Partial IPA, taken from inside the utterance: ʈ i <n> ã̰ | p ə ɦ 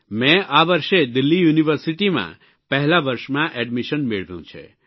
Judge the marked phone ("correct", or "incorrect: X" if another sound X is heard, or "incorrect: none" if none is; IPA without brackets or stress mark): incorrect: m